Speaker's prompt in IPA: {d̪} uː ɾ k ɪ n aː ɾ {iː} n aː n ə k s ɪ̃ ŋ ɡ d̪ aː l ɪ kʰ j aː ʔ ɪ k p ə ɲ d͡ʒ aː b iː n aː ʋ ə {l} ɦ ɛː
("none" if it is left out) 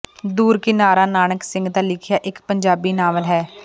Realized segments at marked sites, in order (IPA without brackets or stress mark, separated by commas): d̪, aː, l